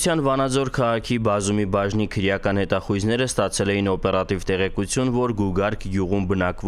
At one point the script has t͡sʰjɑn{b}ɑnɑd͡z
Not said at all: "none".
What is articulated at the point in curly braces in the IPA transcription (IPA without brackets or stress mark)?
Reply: v